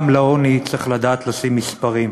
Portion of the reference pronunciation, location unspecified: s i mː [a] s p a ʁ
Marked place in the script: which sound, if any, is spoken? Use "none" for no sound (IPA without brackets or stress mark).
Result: i